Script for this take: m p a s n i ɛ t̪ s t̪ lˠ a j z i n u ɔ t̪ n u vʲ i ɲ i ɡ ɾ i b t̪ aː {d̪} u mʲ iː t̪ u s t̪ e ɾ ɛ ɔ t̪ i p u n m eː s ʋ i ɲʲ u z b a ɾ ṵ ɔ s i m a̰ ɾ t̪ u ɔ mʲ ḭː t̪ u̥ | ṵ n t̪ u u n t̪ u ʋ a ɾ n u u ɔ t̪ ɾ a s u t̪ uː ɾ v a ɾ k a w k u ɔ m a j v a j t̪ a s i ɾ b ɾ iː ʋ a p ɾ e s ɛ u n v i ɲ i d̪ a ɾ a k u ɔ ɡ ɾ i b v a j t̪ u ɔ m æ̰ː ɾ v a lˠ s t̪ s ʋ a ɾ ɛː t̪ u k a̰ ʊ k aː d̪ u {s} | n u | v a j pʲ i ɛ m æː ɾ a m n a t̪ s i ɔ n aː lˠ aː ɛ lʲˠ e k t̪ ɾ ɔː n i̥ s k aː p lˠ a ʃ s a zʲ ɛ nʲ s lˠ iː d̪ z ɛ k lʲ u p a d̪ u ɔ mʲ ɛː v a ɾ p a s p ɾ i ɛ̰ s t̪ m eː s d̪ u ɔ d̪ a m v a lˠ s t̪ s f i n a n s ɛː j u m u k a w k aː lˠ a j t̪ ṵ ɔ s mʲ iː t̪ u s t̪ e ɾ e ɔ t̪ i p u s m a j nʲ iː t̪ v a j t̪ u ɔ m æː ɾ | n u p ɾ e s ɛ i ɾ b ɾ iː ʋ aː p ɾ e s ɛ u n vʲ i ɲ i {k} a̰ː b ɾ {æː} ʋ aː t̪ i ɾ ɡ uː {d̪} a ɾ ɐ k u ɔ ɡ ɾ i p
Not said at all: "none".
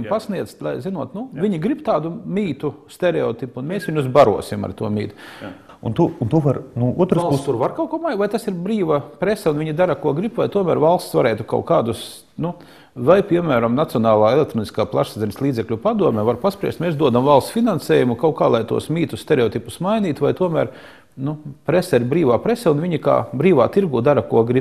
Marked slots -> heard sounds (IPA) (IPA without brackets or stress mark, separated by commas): d̪, s, k, iː, d̪